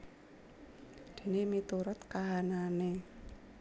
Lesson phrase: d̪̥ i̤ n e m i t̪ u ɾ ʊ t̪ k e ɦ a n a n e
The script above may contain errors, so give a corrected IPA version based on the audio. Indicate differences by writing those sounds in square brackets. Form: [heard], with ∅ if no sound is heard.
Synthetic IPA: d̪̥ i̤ n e m i t̪ u ɾ ʊ t̪ k [a] ɦ a n a n e